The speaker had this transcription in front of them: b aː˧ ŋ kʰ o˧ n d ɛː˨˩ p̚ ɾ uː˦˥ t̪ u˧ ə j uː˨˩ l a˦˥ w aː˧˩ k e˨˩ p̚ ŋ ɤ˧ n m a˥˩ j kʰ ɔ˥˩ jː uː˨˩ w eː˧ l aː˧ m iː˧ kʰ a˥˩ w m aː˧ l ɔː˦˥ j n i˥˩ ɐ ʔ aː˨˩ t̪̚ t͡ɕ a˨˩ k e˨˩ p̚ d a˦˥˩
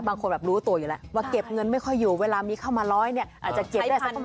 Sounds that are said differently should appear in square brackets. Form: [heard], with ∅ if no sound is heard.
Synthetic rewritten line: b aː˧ ŋ kʰ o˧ n [b] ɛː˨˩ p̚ ɾ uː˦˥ t̪ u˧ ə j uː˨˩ l [ɛ˦˥] w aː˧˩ k e˨˩ p̚ ŋ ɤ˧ n m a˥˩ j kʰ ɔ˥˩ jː uː˨˩ w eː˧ l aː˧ m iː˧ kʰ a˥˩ w m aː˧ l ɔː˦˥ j n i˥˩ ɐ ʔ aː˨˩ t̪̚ t͡ɕ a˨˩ k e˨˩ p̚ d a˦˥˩